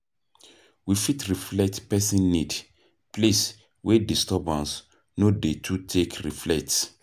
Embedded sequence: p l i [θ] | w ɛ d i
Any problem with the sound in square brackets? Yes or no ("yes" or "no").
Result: yes